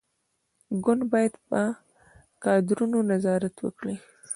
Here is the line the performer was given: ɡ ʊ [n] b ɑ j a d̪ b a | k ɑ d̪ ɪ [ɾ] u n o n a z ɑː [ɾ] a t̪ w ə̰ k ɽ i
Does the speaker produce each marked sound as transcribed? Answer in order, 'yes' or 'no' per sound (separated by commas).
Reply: yes, yes, yes